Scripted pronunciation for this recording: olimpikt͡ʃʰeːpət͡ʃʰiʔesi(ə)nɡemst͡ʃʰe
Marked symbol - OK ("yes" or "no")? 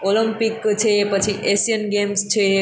yes